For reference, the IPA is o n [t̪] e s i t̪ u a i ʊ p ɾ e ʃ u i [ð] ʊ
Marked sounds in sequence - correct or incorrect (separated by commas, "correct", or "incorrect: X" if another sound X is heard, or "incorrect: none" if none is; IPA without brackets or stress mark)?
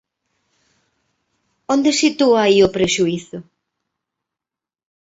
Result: incorrect: d̪, incorrect: θ